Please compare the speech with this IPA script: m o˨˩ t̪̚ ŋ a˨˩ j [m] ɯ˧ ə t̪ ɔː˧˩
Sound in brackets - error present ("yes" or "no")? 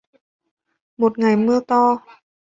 no